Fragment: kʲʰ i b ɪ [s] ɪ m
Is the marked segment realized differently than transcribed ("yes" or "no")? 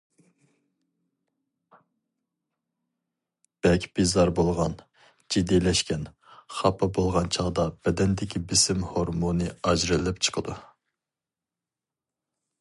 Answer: no